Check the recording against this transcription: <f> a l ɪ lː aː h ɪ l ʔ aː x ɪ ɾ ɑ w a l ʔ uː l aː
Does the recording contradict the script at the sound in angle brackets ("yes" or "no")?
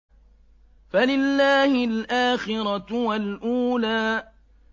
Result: no